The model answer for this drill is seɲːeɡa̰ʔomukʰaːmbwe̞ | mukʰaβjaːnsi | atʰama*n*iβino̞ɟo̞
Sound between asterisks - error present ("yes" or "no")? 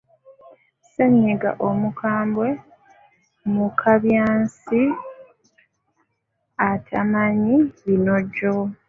yes